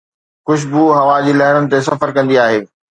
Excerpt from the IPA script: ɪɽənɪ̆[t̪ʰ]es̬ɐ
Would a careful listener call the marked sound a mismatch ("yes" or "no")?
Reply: yes